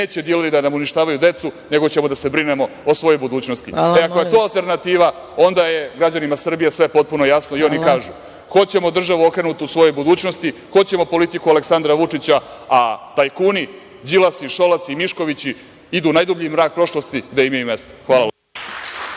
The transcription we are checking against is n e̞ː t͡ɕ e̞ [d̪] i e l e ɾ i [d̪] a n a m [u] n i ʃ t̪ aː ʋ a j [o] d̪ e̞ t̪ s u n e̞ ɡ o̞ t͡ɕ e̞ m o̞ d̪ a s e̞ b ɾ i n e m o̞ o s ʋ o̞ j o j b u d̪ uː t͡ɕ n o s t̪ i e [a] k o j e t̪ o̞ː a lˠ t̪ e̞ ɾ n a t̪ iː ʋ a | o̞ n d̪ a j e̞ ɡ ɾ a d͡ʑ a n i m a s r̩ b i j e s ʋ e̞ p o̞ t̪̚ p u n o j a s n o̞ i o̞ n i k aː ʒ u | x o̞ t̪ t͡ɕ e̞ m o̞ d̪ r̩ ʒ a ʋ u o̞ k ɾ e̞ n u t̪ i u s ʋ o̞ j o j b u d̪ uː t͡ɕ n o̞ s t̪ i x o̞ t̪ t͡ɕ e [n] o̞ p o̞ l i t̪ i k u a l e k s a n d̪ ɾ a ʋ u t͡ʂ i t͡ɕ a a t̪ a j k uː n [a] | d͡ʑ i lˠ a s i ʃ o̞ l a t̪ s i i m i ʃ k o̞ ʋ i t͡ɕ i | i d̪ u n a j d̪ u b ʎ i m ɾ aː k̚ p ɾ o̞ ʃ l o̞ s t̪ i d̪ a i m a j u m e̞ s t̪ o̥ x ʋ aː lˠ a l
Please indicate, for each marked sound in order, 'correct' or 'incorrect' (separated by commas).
correct, correct, correct, incorrect, correct, incorrect, incorrect